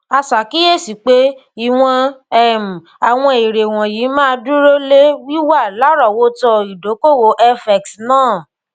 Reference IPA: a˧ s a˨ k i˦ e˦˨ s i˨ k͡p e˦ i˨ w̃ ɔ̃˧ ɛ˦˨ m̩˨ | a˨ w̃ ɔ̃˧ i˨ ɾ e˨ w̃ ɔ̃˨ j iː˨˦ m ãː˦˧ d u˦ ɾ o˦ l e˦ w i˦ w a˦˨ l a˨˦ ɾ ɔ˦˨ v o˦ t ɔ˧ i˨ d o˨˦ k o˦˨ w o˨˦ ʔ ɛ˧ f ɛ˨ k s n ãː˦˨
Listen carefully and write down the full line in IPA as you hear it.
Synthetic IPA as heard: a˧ s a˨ k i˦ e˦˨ s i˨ k͡p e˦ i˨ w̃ ɔ̃˧ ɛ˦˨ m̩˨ | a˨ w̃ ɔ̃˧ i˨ ɾ e˨ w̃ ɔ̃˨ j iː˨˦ m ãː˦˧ d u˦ ɾ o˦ l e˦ w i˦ w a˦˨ l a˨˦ ɾ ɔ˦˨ w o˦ t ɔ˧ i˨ d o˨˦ k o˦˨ w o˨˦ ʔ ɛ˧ f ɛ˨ k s n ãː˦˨

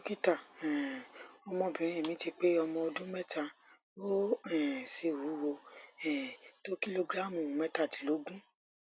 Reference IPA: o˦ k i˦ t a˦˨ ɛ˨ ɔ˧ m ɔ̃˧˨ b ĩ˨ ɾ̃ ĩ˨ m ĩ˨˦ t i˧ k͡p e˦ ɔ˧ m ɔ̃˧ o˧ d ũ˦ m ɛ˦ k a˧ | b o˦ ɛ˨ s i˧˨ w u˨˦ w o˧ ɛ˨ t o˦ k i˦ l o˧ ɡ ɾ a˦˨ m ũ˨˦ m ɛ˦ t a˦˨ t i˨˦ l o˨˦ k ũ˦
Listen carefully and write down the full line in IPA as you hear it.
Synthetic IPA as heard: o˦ k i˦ t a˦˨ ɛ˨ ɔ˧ m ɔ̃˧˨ b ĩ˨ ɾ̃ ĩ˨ m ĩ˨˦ t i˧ k͡p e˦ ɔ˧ m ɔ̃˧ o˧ d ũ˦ m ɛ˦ t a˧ | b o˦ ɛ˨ s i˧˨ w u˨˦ w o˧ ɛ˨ t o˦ k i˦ l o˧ ɡ ɾ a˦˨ m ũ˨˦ m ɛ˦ t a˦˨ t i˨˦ l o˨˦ ɡ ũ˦

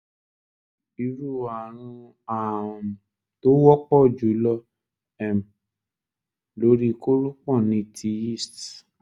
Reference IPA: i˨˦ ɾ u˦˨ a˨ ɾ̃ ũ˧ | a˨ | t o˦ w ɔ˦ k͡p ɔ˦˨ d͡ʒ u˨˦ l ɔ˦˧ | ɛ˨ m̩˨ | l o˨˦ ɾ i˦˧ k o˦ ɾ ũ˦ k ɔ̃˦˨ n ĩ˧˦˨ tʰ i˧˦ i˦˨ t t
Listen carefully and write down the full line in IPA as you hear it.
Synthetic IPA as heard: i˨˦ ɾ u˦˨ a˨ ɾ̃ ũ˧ | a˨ | t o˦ w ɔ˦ k͡p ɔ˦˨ d͡ʒ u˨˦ l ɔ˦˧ | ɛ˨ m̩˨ | l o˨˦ ɾ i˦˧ k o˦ ɾ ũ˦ k͡p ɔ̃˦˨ n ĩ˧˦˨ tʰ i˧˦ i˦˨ s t

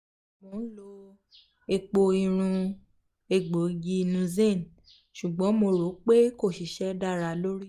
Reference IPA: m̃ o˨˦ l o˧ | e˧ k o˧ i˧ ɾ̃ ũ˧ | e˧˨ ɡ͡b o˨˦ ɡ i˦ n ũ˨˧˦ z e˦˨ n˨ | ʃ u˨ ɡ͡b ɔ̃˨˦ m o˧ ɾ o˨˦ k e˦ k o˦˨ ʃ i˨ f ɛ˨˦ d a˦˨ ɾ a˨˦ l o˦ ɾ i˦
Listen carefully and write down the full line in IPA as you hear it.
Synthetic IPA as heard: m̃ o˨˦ l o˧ | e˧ k͡p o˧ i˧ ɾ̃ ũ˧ | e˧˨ ɡ͡b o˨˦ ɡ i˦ n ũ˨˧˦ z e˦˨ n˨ | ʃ u˨ ɡ͡b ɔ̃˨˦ m o˧ ɾ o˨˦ k͡p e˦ k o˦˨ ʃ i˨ ʃ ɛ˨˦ d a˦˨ ɾ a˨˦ l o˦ ɾ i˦

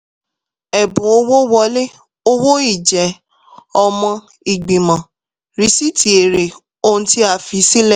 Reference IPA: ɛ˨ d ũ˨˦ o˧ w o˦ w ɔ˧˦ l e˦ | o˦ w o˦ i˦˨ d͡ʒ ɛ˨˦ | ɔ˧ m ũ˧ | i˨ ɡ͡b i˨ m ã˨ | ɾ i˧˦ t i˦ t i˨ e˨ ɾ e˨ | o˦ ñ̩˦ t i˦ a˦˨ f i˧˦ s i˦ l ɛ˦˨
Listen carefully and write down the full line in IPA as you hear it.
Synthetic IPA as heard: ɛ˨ b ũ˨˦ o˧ w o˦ w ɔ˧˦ l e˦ | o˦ w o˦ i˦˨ d͡ʒ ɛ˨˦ | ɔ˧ m ɔ̃˧ | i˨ ɡ͡b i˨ m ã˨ | ɾ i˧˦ s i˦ t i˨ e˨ ɾ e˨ | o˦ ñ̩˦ t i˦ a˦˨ f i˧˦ s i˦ l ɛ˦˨

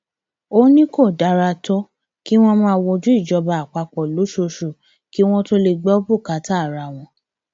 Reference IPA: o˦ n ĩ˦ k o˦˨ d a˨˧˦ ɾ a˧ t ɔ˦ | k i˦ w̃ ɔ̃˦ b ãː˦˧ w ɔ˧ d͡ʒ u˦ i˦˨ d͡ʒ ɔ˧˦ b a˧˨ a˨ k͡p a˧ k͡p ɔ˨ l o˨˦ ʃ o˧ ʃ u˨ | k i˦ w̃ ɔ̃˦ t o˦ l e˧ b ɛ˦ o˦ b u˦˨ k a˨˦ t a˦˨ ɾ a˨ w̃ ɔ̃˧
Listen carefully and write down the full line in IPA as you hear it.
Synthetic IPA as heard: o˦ n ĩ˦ k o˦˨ d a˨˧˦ ɾ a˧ t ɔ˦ | k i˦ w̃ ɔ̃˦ m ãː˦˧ w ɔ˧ d͡ʒ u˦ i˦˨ d͡ʒ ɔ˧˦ b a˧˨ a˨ k͡p a˧ k͡p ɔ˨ l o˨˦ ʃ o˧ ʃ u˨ | k i˦ w̃ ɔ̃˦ t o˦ l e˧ ɡ͡b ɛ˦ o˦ b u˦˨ k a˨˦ t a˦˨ ɾ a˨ w̃ ɔ̃˧

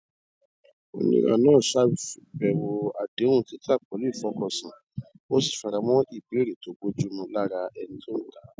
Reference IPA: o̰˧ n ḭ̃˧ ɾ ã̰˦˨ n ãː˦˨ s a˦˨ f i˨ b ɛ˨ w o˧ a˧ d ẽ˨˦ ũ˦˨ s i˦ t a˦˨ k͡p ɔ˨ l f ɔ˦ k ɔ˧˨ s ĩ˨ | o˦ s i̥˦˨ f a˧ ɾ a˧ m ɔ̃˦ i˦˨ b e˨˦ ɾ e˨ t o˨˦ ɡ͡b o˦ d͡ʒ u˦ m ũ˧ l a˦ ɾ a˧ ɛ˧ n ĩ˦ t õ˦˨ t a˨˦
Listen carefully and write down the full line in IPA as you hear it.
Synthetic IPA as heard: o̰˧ n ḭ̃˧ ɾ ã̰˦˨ n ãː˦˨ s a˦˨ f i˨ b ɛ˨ w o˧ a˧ d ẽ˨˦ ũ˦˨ t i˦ t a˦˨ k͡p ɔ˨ l f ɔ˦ k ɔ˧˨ s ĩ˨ | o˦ s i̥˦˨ f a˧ ɾ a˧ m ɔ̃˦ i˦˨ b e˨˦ ɾ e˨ t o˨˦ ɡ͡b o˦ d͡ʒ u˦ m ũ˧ l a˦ ɾ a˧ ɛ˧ n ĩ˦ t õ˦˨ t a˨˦

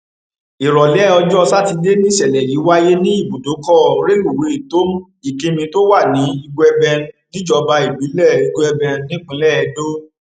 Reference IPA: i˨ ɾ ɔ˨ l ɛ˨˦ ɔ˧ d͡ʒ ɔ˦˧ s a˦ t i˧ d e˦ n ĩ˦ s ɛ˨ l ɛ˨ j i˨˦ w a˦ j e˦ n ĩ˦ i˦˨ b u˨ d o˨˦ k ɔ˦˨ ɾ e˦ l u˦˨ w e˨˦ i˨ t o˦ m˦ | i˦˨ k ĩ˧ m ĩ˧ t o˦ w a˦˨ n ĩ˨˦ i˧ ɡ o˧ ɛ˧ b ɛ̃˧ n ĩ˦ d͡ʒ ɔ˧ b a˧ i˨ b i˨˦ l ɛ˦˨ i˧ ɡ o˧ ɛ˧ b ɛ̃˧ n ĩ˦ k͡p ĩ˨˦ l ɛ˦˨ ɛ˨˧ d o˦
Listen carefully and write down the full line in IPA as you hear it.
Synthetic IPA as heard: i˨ ɾ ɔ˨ l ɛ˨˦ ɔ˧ d͡ʒ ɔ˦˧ s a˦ t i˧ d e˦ n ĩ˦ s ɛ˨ l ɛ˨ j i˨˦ w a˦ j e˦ n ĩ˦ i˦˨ b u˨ d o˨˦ k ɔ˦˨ ɾ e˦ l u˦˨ w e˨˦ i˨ t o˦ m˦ | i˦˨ k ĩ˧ m ĩ˧ t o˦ w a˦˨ n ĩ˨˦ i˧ ɡ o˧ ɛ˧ b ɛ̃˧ n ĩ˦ d͡ʒ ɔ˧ b a˧ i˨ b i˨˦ l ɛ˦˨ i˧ ɡ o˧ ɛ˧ b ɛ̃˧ n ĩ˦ k͡p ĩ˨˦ l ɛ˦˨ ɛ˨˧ d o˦

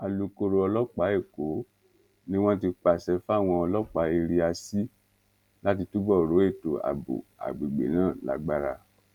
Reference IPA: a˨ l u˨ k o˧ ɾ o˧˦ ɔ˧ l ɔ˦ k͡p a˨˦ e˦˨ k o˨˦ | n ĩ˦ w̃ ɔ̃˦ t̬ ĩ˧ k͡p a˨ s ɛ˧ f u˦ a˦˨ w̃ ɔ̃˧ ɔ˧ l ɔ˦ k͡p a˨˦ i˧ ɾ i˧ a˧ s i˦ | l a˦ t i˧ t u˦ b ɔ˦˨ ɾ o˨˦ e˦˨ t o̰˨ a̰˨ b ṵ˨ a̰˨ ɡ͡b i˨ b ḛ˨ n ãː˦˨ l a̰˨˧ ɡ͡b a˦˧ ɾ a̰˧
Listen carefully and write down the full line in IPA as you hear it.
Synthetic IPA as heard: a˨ l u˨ k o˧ ɾ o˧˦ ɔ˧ l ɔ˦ k͡p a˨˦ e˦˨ k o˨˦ | n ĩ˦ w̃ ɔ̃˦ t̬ i˧ k͡p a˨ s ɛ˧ f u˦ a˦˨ w̃ ɔ̃˧ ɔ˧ l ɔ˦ k͡p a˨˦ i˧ ɾ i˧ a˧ s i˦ | l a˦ t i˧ t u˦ b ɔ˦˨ ɾ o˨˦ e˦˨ t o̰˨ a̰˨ b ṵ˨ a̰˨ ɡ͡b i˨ ɡ͡b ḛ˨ n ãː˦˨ l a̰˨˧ ɡ͡b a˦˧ ɾ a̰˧

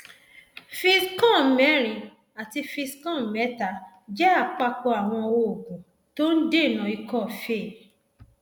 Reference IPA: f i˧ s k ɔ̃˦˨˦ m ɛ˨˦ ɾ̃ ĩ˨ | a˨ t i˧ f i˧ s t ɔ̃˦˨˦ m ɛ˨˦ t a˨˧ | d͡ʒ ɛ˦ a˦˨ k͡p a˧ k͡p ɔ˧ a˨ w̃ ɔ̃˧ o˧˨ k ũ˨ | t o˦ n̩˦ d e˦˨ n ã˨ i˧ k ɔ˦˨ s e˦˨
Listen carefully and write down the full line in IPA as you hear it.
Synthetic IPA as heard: f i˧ s k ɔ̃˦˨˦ m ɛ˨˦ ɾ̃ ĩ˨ | a˨ t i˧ f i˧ s k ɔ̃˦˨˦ m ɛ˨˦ t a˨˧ | d͡ʒ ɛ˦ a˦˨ k͡p a˧ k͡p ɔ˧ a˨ w̃ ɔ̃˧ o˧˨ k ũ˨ | t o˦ n̩˦ d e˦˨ n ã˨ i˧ k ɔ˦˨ f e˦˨

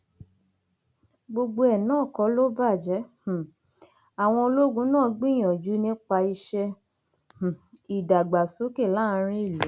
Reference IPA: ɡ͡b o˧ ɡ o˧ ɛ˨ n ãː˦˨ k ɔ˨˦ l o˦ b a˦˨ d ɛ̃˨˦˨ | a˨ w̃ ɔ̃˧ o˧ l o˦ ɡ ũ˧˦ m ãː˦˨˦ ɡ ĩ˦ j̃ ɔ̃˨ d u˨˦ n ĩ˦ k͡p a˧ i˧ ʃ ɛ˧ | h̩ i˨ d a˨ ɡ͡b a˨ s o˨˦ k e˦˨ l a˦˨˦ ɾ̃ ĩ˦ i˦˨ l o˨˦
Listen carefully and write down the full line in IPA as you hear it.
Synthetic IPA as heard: ɡ͡b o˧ ɡ͡b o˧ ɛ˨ n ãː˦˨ k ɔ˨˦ l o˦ b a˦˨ d͡ʒ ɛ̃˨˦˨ | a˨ w̃ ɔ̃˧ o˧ l o˦ ɡ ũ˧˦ n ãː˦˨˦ ɡ͡b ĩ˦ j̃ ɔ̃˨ d͡ʒ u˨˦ n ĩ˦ k͡p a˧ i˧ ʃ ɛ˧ | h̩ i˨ d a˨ ɡ͡b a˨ s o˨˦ k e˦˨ l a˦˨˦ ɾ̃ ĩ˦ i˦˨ l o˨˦

